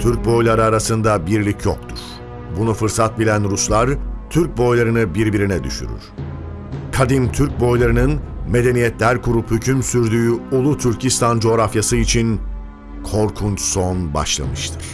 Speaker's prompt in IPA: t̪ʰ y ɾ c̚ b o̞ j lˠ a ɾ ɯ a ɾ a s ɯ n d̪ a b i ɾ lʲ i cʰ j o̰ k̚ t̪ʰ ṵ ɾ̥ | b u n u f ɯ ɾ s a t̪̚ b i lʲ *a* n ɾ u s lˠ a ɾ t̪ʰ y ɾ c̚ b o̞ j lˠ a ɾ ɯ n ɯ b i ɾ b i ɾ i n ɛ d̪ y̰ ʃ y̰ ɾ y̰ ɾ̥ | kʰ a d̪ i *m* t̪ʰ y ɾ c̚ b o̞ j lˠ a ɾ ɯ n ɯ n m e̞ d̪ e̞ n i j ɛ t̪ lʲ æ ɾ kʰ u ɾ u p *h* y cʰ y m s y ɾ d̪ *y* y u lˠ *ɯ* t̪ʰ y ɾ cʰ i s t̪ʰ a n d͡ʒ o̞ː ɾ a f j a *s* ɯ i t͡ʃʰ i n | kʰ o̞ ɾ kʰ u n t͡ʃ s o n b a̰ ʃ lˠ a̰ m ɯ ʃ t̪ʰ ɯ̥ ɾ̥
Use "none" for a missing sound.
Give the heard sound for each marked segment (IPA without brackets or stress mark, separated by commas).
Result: æ, m, h, yː, u, s